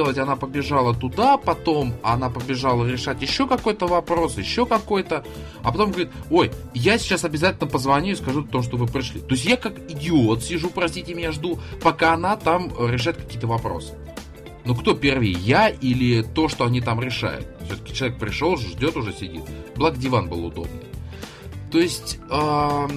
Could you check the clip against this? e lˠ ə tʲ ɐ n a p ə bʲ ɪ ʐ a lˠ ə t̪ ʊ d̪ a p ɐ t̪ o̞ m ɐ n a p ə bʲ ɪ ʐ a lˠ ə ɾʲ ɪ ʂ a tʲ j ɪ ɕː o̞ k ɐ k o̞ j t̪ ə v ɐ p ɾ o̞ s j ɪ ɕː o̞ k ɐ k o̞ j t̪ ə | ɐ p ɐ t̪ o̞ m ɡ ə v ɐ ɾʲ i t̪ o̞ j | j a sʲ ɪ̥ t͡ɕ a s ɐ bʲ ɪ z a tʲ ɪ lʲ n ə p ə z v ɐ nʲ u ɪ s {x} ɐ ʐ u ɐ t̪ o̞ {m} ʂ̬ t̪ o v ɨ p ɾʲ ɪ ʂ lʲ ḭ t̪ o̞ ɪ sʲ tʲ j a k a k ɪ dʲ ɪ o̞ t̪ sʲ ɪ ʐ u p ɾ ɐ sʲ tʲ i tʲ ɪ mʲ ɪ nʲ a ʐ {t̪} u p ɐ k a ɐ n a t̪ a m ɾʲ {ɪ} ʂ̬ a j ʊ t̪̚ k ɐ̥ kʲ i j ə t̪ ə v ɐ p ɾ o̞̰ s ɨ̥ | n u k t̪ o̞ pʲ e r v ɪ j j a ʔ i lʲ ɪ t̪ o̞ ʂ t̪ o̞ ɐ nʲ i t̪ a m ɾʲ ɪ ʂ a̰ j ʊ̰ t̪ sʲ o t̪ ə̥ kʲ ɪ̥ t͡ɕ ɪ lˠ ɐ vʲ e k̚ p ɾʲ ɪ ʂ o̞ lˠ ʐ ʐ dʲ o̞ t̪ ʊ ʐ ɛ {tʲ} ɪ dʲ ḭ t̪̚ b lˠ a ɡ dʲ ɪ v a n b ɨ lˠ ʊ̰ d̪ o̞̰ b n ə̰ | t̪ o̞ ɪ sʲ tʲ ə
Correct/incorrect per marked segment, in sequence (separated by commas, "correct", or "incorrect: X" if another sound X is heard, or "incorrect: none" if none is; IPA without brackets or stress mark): incorrect: k, correct, incorrect: d̪, correct, incorrect: sʲ